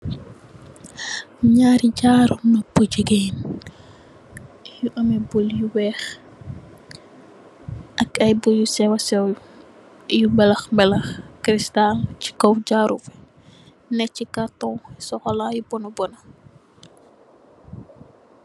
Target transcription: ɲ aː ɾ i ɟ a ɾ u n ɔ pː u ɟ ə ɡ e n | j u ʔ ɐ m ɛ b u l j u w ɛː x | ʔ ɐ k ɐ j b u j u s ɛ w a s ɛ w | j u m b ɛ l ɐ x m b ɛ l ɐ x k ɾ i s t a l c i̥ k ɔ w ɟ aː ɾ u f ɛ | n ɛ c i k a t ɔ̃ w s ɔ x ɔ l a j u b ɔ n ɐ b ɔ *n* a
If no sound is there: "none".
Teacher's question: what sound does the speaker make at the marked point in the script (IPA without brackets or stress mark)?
n